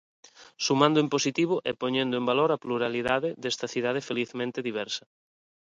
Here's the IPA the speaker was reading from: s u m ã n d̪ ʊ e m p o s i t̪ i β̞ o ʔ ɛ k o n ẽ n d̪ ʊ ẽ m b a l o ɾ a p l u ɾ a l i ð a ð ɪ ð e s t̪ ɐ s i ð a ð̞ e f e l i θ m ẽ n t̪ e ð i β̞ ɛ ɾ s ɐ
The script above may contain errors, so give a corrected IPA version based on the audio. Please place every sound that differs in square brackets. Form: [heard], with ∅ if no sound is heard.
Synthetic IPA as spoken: s u m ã n d̪ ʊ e m p o s i t̪ i β̞ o ʔ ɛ [p] o [ɲ] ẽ n d̪ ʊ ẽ m b a l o ɾ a p l u ɾ a l i ð a ð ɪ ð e s t̪ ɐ [θ] i ð a ð̞ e f e l i θ m ẽ n t̪ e ð i β̞ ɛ ɾ s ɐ